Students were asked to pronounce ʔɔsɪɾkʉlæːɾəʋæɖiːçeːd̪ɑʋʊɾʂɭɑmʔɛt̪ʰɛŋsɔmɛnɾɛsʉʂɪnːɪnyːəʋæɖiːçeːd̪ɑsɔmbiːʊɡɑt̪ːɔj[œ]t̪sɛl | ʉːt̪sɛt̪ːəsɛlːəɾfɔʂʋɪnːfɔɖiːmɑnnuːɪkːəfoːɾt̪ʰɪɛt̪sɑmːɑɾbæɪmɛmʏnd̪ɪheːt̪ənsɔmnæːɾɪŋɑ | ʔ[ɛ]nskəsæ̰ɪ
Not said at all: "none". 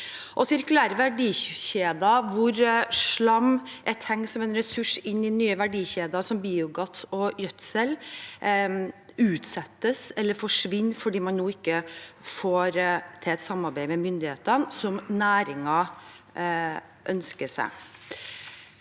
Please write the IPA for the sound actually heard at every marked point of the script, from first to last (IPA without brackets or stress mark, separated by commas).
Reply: œ, œ